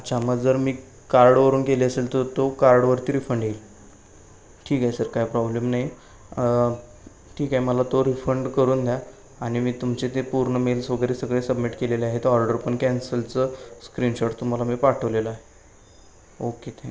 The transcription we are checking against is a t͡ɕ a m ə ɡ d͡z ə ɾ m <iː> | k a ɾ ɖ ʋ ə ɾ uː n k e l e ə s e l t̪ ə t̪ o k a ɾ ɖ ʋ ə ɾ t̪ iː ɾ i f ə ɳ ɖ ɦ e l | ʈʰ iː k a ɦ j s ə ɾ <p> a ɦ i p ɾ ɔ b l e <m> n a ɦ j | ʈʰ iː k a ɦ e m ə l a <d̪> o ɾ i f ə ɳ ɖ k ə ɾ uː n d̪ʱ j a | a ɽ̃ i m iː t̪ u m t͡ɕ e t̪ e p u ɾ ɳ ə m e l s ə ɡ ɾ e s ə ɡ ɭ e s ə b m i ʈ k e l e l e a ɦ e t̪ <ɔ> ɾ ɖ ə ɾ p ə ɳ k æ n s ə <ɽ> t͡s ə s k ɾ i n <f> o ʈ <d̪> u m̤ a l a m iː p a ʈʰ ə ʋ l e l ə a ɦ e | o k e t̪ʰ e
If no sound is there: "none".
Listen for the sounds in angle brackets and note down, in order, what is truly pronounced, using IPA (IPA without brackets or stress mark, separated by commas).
iː, k, m, t̪, ɔ, l, ɕ, t̪